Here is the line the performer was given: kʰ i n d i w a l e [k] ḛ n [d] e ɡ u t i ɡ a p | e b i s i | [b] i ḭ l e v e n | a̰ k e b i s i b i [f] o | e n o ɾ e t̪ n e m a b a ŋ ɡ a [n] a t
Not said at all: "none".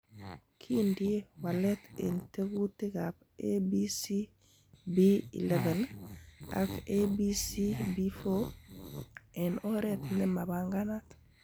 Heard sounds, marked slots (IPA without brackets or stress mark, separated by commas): t, t, b, f, n